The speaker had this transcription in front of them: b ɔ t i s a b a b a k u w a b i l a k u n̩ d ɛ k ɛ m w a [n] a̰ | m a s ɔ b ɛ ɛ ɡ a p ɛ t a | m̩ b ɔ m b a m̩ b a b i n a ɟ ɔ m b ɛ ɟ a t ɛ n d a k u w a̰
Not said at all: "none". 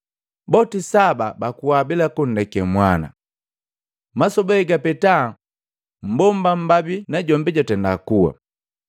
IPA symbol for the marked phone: n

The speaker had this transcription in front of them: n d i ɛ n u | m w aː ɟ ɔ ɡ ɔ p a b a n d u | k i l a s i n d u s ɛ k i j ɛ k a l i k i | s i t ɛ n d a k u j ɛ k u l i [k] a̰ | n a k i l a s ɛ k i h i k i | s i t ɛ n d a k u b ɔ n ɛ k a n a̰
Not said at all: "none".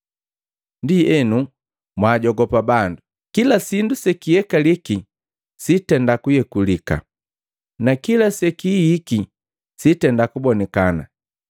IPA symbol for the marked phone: k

